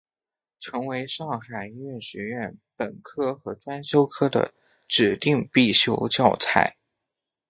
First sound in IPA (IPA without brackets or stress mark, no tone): ʈ͡ʂʰ